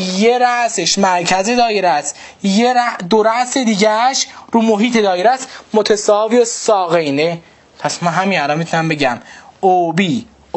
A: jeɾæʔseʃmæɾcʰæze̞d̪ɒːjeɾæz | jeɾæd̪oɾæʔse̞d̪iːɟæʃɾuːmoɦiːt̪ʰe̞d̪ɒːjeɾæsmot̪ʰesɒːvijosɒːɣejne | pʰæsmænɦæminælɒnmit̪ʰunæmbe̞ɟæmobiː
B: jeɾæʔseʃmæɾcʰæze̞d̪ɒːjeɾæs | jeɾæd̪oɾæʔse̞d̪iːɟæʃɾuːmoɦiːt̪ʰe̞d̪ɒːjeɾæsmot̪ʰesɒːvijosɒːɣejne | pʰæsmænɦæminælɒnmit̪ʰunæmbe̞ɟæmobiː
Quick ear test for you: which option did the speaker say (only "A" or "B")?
B